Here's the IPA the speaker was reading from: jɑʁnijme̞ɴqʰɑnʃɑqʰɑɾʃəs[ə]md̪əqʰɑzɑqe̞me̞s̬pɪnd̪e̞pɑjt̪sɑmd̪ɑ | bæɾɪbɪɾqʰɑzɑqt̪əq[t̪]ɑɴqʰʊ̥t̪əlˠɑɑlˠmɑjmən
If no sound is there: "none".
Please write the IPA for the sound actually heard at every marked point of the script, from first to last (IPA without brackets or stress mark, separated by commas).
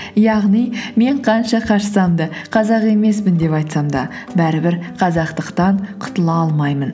ɑ, t̪